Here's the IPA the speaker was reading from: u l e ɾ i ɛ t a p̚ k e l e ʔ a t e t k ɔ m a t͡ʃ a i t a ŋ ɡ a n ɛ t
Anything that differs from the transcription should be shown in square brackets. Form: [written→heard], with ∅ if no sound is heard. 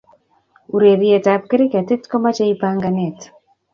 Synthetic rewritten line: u [l→ɾ] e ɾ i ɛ t a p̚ k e [l→ɾ] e [ʔ→k] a t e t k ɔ m a t͡ʃ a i [t→p] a ŋ ɡ a n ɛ t